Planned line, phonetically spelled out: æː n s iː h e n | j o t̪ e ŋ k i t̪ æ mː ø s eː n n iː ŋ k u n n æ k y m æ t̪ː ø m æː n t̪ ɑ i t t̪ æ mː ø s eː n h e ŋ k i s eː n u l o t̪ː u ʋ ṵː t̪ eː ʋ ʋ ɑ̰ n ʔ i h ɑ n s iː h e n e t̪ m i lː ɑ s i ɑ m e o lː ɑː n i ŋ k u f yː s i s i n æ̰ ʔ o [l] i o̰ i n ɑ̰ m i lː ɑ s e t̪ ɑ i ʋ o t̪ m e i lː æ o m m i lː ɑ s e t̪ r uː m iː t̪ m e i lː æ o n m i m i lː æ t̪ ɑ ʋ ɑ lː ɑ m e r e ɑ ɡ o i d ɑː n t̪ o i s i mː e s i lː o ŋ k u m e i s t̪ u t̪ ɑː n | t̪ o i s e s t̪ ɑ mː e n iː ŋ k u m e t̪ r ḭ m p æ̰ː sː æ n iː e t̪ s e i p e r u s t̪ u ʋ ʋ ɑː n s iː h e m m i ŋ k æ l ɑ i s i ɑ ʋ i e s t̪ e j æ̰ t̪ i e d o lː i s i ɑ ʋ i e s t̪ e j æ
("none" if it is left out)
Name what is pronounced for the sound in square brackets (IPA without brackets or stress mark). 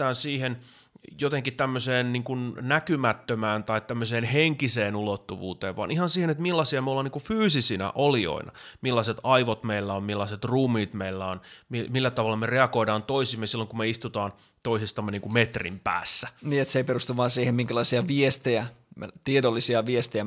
l